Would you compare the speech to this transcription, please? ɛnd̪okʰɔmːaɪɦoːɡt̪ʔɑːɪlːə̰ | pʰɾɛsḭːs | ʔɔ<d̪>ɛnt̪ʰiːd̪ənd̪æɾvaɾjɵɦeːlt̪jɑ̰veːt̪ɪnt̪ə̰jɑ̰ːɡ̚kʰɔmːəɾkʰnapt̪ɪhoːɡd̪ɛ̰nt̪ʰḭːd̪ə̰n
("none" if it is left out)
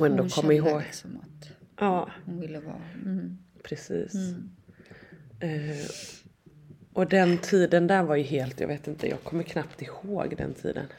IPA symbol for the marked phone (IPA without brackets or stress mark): d̪